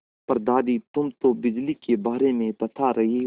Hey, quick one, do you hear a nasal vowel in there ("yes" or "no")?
yes